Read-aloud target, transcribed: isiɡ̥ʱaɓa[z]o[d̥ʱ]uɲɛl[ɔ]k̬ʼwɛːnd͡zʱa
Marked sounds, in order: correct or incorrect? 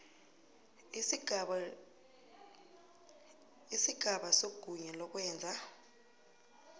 incorrect, incorrect, correct

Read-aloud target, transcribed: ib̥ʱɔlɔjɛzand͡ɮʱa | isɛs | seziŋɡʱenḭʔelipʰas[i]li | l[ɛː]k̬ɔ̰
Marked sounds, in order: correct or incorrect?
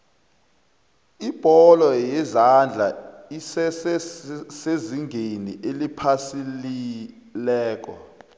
correct, correct

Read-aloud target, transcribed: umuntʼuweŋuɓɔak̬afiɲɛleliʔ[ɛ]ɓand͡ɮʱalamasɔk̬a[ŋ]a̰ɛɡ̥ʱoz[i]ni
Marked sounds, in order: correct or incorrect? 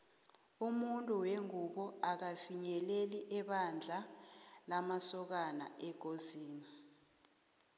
correct, incorrect, incorrect

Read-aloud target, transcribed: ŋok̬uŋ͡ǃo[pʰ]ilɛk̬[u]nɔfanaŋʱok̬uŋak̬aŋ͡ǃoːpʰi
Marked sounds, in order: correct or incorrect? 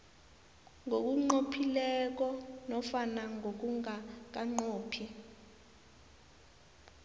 correct, incorrect

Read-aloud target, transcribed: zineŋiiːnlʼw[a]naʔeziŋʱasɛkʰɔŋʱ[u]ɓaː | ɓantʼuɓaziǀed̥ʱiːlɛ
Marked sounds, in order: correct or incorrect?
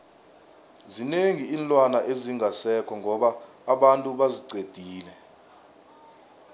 correct, incorrect

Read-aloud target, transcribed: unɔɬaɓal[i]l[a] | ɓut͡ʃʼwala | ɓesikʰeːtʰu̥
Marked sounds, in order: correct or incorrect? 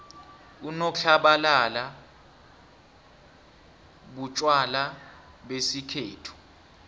incorrect, correct

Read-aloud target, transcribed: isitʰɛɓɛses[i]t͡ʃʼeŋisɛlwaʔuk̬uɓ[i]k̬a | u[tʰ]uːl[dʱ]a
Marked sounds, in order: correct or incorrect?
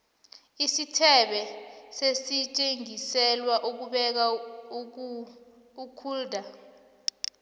correct, incorrect, incorrect, correct

